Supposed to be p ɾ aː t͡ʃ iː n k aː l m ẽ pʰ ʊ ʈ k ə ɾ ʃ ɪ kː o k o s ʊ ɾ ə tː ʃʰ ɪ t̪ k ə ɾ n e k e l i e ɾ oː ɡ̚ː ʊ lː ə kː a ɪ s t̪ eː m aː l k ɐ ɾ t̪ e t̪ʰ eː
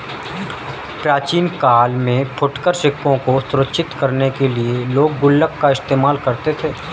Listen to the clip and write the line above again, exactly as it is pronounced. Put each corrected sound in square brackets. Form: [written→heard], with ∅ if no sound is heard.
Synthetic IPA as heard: p ɾ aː t͡ʃ iː n k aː l m ẽ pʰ ʊ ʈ k ə ɾ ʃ ɪ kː [o→õ] k o s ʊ ɾ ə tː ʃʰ ɪ t̪ k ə ɾ n e k e l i e [ɾ→l] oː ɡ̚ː ʊ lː ə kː a ɪ s t̪ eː m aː l k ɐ ɾ t̪ e t̪ʰ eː